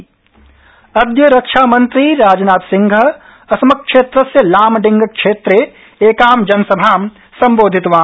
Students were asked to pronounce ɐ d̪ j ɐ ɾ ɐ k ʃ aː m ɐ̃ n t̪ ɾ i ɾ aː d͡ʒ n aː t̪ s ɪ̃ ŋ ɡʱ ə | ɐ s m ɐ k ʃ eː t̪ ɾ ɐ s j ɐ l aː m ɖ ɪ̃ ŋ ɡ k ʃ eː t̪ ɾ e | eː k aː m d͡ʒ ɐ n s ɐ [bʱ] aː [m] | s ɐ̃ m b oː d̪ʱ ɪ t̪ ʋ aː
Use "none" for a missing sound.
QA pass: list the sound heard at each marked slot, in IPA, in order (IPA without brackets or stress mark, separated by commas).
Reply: bʱ, m